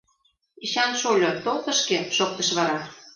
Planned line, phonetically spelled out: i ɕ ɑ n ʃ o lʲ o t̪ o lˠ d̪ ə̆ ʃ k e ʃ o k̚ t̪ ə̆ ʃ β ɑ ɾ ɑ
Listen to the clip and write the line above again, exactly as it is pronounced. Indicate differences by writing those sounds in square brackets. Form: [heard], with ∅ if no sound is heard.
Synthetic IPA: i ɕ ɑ n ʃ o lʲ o t̪ o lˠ [t̪] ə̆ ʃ k e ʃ o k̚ t̪ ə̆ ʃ β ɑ ɾ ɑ